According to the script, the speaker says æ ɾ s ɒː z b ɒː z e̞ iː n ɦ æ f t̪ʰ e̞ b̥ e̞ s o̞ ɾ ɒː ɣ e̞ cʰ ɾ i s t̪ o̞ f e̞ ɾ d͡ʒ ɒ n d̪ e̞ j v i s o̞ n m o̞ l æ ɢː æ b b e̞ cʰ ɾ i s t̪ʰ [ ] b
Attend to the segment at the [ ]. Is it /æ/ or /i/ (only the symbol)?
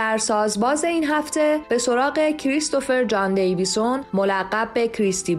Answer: i